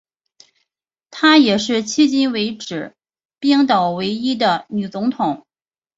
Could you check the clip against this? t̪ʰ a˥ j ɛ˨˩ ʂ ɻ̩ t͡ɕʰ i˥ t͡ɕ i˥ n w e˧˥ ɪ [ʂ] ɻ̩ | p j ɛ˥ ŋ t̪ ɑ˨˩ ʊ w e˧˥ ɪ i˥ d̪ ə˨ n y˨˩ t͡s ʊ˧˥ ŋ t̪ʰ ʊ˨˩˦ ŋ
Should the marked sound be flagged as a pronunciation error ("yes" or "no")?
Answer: yes